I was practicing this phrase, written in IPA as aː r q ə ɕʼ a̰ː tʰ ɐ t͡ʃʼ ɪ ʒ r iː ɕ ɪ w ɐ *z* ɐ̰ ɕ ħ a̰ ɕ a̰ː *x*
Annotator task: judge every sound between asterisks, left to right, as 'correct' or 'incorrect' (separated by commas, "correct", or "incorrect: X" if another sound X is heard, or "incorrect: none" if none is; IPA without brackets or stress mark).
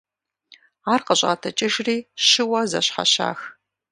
correct, correct